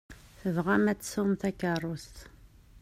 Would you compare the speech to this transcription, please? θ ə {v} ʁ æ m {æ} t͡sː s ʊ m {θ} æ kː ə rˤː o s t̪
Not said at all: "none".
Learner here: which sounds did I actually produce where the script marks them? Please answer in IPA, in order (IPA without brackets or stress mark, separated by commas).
v, æ, θ